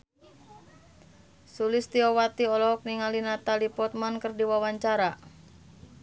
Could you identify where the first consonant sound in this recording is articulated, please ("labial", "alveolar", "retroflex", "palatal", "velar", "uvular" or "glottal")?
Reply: alveolar